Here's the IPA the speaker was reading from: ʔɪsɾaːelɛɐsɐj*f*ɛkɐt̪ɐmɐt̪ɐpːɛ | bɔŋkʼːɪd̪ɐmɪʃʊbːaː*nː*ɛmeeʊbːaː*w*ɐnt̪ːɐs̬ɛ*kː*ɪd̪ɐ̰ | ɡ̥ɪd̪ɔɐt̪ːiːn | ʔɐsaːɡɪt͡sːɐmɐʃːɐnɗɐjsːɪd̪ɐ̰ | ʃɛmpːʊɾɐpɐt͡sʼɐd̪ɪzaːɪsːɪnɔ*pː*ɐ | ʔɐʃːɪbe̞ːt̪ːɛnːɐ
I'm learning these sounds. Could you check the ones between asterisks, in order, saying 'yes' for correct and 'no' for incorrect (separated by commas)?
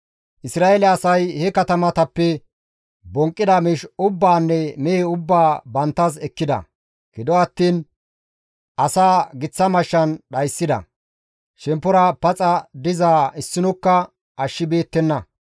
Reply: no, yes, no, yes, no